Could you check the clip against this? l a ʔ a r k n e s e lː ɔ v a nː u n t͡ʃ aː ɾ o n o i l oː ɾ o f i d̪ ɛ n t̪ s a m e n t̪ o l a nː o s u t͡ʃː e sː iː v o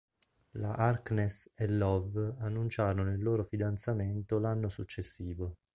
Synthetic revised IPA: l a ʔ a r k n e s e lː ɔ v a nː u n t͡ʃ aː ɾ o n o i lː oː ɾ o f i d̪ a n t̪ s a m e n t̪ o l a nː o s u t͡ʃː e sː iː v o